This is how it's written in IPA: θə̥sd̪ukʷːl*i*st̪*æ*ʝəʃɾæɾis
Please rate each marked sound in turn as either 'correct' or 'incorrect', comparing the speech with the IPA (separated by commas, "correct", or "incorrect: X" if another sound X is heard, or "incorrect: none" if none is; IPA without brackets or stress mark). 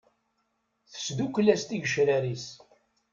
incorrect: æ, incorrect: i